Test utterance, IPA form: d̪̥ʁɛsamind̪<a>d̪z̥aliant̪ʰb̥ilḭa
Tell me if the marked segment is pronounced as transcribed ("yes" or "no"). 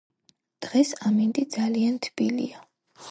no